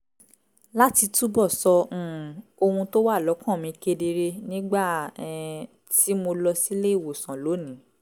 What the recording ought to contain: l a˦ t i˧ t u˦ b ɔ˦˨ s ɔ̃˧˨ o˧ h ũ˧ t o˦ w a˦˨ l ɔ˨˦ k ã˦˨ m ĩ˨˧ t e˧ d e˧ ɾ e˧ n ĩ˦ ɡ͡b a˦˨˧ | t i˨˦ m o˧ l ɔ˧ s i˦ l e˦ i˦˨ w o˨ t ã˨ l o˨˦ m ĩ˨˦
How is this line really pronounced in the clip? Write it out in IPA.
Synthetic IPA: l a˦ t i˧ t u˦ b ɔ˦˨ s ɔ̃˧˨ o˧ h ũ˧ t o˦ w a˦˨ l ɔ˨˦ k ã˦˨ m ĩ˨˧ k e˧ d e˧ ɾ e˧ n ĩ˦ ɡ͡b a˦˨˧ | t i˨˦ m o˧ l ɔ˧ s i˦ l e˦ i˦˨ w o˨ s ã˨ l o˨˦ n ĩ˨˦